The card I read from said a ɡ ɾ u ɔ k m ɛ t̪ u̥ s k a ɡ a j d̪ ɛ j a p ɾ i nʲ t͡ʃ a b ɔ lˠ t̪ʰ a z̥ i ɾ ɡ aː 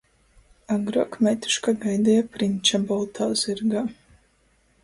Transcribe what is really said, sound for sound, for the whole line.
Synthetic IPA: a ɡ ɾ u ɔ k m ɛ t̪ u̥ ʃ k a ɡ a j d̪ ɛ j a p ɾ i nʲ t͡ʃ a b ɔ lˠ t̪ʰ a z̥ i ɾ ɡ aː

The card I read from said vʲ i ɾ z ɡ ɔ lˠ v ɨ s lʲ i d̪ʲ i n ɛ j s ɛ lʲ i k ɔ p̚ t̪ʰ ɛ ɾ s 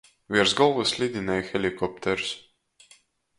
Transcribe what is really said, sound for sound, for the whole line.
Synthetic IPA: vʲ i ɾ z ɡ ɔ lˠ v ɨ s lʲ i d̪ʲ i n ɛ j x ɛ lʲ i k ɔ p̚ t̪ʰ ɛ ɾ s

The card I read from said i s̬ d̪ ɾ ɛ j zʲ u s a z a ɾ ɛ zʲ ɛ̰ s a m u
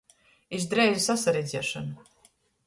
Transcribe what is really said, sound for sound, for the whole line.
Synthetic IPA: i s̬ d̪ ɾ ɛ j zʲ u s a s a ɾ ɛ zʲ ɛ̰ ʃ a n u

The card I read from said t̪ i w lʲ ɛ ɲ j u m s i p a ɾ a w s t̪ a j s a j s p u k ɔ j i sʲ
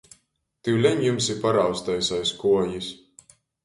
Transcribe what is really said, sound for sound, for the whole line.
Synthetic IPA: t̪ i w lʲ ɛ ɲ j u m s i p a ɾ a w s t̪ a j s a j s k u ɔ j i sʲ

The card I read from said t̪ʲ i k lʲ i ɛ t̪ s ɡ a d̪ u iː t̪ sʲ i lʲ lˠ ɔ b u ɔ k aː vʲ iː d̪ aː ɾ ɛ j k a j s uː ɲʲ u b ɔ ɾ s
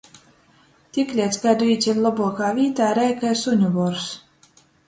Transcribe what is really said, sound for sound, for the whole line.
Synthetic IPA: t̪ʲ i k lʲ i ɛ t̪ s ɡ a d̪ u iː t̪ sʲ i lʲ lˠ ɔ b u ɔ k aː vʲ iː t̪ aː ɾ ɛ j k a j s u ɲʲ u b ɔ ɾ s

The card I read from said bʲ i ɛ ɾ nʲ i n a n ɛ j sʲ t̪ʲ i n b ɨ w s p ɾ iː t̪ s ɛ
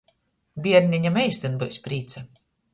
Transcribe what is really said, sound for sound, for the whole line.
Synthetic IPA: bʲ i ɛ ɾ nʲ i ɲ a m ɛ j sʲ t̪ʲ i n b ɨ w s p ɾ iː t̪ s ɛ

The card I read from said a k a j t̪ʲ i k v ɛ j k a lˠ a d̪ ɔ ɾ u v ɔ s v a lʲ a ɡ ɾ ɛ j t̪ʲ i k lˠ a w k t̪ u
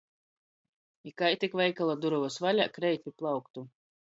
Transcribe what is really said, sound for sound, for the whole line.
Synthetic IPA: i k a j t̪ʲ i k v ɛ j k a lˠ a d̪ u ɾ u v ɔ s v a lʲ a k ɾ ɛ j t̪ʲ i p lˠ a w k t̪ u

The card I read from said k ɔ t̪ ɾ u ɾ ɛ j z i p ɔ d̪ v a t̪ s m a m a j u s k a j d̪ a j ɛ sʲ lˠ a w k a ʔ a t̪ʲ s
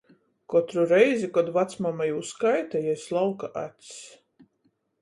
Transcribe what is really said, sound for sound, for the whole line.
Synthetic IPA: k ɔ t̪ ɾ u ɾ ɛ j z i k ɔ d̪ v a t̪ s m a m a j u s k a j t̪ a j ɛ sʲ lˠ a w k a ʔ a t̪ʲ s

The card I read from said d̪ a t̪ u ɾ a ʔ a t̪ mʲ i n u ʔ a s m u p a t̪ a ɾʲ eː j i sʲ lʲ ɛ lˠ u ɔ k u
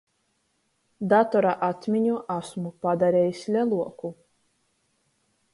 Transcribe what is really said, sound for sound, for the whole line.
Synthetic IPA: d̪ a t̪ ɔ ɾ a ʔ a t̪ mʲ i ɲ u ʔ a s m u p a d̪ a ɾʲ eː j i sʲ lʲ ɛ lˠ u ɔ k u

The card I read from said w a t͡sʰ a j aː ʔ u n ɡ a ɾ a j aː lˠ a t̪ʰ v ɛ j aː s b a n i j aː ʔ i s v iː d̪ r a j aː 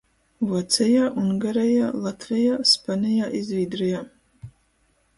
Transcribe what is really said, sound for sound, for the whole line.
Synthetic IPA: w a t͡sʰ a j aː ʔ u n ɡ a ɾ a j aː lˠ a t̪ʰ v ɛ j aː s p a n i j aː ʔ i z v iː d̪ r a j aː

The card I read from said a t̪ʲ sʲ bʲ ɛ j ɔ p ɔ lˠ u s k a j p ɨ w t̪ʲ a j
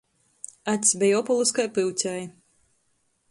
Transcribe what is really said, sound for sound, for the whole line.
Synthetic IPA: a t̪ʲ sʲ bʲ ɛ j ɔ p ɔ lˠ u s k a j p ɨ w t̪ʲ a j

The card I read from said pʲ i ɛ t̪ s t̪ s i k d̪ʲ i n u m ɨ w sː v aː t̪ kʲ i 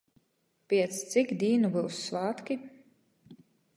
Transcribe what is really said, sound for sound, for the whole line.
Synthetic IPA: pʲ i ɛ t̪ s t̪ s i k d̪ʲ iː n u b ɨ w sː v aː t̪ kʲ i

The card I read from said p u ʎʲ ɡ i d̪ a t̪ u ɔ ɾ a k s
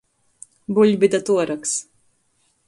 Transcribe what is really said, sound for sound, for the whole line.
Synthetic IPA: b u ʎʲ b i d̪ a t̪ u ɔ ɾ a k s

